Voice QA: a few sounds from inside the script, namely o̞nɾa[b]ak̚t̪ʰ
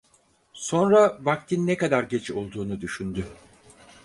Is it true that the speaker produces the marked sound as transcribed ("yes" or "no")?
no